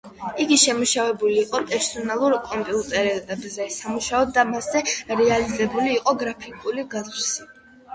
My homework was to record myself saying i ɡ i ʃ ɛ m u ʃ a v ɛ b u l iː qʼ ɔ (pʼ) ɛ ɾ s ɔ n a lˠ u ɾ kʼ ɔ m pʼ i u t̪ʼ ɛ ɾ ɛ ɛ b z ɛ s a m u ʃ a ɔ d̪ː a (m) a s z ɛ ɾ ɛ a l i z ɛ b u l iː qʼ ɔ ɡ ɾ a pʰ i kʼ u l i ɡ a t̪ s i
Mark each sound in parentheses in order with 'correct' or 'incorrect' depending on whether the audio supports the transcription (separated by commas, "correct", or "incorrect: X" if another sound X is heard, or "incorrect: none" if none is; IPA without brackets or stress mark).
correct, correct